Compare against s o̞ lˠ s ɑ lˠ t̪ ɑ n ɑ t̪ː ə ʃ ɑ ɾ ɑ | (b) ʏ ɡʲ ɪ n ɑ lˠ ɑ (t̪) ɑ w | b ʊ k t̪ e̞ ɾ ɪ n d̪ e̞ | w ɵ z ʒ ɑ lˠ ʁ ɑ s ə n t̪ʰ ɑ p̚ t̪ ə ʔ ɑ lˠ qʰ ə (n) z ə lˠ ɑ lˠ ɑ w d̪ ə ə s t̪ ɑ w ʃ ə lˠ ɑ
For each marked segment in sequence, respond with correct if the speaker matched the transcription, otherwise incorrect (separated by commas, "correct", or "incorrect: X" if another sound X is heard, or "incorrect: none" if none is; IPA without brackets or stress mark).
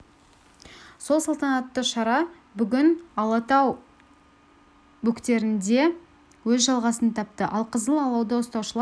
correct, correct, incorrect: none